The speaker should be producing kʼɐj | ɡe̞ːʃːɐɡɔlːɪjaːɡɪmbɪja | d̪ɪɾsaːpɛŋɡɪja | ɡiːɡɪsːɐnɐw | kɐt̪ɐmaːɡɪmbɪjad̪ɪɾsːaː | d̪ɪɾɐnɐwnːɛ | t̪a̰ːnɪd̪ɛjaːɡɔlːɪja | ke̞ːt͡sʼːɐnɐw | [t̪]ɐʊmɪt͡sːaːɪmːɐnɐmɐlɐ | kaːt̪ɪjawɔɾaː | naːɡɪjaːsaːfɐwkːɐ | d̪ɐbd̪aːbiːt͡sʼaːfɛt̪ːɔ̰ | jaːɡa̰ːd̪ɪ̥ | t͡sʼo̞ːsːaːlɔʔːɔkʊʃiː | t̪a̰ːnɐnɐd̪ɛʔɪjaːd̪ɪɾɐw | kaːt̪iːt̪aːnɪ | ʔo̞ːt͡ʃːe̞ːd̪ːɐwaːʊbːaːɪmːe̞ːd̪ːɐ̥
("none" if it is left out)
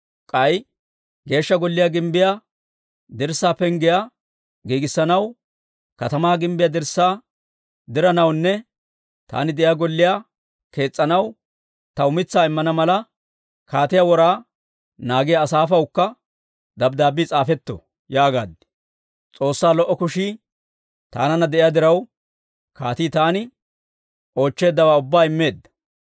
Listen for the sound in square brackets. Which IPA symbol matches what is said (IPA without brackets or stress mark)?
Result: t̪